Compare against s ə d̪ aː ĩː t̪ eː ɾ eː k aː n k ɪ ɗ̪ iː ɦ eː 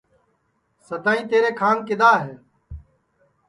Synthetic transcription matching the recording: s ə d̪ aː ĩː t̪ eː ɾ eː kʰ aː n k ɪ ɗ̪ aː ɦ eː